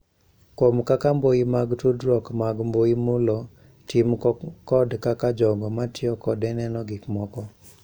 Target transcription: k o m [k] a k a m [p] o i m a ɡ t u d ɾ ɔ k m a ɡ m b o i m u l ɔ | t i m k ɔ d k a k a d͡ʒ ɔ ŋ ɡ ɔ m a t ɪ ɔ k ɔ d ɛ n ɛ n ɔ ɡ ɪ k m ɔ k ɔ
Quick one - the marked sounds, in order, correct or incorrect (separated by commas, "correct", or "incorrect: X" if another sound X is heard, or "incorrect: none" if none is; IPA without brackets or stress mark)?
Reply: correct, incorrect: b